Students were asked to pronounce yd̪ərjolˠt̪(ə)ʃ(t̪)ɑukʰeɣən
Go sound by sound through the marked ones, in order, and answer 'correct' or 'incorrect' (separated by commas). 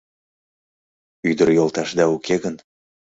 incorrect, incorrect